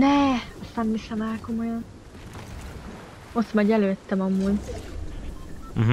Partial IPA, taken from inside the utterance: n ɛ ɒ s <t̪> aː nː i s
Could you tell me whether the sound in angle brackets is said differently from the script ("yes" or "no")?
no